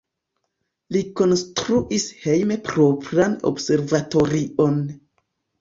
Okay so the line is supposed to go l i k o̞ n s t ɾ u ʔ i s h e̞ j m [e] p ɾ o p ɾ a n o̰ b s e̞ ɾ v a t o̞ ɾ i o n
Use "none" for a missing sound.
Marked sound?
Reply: e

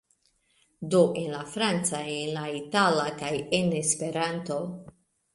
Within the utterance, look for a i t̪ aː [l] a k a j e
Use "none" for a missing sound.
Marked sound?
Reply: l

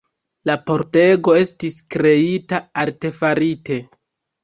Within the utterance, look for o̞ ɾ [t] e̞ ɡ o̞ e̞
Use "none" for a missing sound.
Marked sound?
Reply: t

